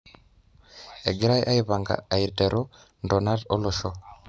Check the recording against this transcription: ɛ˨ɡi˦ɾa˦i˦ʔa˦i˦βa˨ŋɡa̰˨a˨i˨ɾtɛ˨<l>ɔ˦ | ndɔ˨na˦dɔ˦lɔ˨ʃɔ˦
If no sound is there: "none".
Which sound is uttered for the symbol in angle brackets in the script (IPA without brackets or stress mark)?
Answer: ɾ